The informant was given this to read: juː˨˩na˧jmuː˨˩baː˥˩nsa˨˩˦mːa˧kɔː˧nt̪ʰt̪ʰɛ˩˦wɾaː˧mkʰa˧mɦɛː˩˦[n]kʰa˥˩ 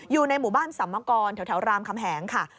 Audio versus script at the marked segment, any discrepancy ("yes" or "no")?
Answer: yes